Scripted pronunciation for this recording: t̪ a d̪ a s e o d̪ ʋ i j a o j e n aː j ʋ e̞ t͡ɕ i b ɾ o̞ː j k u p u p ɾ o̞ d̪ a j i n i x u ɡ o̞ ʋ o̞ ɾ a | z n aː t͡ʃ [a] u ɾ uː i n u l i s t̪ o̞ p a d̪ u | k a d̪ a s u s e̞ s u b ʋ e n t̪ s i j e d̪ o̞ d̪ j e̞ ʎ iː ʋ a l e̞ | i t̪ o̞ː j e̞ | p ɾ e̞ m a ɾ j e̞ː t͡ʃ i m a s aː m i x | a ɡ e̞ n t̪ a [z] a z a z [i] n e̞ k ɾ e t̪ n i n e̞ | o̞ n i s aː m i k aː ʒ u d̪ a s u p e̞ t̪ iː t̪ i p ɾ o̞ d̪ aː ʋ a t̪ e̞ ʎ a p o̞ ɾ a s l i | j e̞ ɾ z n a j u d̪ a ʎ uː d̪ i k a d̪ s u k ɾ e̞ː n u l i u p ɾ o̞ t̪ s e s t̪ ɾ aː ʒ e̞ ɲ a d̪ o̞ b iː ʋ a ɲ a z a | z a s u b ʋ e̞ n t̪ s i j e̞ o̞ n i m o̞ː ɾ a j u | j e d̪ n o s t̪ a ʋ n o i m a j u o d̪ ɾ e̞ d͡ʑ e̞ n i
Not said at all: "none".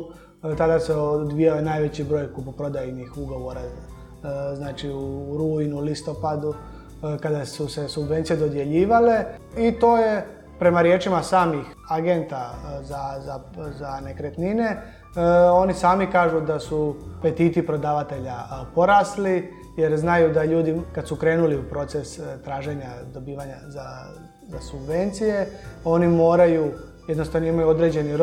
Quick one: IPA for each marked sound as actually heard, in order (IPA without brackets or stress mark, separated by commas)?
i, z, a